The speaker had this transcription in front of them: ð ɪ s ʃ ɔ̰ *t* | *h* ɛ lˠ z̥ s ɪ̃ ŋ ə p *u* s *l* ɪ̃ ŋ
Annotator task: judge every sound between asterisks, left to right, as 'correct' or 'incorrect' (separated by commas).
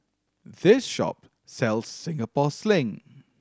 incorrect, incorrect, incorrect, correct